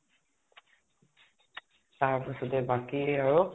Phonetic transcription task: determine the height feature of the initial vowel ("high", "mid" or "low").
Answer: low